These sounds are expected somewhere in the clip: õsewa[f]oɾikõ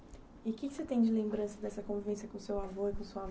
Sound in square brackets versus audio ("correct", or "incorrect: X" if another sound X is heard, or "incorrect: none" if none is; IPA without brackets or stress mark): incorrect: v